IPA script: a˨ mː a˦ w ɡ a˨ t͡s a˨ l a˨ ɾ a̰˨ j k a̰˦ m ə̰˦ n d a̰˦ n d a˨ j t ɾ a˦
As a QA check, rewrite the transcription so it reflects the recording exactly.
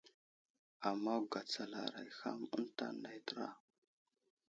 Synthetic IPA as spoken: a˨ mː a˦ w ɡ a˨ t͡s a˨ l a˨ ɾ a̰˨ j x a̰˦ m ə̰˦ n t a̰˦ n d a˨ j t ɾ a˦